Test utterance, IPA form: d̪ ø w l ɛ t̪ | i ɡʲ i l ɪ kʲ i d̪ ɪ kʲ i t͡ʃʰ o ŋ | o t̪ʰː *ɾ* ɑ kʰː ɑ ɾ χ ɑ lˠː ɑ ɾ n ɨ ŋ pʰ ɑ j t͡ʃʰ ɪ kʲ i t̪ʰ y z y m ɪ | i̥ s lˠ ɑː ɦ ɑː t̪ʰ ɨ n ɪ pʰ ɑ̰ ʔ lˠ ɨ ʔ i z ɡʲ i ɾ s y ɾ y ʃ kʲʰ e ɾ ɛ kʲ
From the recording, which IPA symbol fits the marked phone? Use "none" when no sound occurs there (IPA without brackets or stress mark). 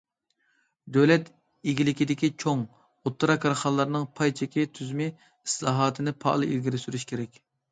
ɾ